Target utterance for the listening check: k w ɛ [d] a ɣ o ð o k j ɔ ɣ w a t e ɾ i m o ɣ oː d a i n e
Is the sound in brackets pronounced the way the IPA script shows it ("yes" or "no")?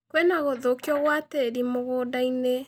no